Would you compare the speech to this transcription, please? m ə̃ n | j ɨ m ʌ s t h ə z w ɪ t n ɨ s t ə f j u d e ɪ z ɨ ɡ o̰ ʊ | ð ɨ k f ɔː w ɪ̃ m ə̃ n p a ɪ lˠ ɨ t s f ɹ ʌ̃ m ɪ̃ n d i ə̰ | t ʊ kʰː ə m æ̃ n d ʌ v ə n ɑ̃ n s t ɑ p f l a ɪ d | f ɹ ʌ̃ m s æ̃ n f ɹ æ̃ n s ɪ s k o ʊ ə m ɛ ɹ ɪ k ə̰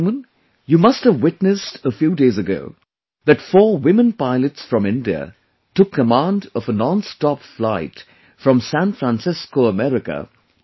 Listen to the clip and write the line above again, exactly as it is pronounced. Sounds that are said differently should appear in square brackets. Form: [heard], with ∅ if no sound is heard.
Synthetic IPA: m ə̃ n | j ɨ m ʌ s t h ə [v] w ɪ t n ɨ s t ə f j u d e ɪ z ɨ ɡ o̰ ʊ | ð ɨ [t] f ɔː w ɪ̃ m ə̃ n p a ɪ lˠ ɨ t s f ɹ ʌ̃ m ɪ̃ n d i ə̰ | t ʊ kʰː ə m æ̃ n d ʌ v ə n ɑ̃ n s t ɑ p f l a ɪ [t] | f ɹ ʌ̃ m s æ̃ n f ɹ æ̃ n s ɪ s k o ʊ ə m ɛ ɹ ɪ k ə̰